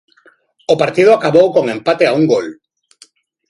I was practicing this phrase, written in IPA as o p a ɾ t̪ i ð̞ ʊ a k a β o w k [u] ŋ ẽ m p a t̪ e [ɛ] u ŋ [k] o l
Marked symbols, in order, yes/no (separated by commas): no, no, no